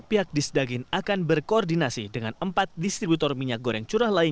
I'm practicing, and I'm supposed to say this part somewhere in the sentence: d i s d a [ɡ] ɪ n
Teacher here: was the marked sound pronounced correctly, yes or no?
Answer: yes